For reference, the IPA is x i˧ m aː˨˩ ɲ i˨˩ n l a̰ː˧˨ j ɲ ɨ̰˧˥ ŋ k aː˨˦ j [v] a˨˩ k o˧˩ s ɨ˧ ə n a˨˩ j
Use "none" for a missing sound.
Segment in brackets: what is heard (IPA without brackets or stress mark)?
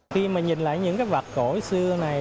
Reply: v